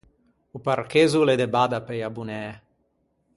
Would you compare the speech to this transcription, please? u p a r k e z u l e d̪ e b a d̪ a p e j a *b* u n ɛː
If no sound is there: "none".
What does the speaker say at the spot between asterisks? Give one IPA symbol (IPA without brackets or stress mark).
b